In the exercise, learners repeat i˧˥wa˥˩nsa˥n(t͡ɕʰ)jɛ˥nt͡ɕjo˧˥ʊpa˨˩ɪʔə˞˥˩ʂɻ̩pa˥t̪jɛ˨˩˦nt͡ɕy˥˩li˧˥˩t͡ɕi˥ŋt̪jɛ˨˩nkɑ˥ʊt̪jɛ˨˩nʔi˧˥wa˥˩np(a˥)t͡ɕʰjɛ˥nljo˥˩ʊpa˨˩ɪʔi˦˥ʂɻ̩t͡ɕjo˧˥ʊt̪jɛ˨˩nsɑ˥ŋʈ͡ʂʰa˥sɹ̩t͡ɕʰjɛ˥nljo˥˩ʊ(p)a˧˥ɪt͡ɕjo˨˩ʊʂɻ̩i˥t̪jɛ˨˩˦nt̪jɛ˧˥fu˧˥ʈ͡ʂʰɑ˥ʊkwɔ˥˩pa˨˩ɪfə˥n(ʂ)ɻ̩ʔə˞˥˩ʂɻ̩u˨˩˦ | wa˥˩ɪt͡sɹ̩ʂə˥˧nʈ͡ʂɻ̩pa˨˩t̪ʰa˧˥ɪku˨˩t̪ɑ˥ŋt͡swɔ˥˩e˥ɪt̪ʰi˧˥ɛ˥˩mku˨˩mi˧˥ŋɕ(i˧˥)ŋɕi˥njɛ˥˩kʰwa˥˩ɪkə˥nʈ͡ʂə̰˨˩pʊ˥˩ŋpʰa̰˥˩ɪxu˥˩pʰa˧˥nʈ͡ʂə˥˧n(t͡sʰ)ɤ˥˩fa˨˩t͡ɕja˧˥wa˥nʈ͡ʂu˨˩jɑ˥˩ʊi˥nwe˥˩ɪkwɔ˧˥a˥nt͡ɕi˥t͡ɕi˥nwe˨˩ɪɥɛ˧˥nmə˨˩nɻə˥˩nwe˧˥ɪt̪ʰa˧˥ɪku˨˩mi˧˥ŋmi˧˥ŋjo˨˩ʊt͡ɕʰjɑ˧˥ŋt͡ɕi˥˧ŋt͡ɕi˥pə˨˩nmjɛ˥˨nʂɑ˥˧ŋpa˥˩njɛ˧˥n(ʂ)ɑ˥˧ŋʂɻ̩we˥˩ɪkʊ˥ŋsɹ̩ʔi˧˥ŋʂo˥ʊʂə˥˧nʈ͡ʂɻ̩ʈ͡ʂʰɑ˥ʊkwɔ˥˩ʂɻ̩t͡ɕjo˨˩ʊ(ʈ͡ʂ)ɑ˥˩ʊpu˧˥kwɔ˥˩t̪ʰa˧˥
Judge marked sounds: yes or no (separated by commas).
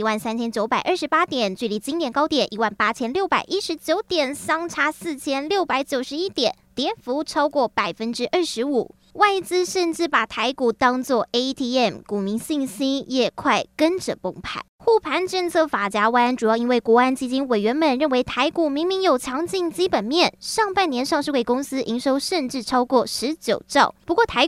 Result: yes, yes, yes, no, no, yes, yes, yes